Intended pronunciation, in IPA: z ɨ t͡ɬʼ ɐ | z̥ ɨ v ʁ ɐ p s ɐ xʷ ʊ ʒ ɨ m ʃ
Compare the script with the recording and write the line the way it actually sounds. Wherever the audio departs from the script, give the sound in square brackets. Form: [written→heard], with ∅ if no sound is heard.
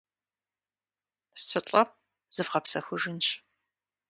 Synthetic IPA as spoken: [z→s] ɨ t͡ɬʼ ɐ | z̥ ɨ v ʁ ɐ p s ɐ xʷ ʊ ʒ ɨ [m→n] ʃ